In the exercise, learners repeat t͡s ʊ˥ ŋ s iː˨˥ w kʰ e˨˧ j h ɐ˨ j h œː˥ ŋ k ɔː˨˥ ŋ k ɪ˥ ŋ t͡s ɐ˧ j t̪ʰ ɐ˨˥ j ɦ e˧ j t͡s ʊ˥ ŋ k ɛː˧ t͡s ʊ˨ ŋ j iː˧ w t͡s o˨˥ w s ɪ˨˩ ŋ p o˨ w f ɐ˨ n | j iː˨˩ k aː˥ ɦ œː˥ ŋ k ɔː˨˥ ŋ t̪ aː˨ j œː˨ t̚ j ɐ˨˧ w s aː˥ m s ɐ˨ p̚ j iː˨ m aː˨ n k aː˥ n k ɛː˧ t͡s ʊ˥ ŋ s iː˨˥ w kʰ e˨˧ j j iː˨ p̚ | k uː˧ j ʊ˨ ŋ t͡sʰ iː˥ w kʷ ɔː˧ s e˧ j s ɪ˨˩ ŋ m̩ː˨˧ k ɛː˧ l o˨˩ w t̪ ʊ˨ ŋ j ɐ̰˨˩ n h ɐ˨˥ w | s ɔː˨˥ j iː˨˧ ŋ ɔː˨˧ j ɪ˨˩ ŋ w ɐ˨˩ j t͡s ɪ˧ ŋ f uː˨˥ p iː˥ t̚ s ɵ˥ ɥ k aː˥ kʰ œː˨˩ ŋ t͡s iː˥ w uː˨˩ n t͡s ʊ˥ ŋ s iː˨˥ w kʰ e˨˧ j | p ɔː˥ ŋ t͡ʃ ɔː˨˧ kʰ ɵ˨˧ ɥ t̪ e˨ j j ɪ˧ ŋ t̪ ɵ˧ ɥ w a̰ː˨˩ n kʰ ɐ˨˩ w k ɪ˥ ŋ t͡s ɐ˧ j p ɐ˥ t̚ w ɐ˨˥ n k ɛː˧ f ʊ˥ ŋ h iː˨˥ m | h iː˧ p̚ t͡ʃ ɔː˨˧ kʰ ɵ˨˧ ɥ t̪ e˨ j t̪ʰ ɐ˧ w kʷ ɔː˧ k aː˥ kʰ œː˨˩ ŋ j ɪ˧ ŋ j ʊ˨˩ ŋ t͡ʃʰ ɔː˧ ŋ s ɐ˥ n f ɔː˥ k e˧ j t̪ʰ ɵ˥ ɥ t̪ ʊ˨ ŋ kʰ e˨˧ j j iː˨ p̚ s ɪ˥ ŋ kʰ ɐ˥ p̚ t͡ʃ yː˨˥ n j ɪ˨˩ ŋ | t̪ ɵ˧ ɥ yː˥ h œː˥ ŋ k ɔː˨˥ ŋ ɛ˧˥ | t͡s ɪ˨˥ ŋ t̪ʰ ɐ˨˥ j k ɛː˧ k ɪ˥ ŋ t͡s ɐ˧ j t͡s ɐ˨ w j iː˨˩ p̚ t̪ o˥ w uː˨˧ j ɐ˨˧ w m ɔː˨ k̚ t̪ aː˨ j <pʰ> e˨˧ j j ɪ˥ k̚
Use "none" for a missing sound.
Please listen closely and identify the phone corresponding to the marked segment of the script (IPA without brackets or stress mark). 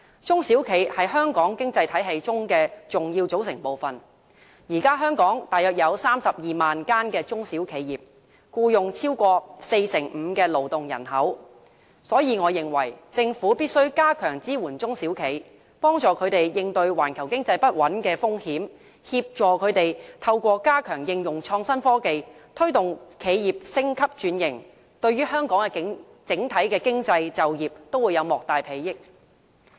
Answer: pʰ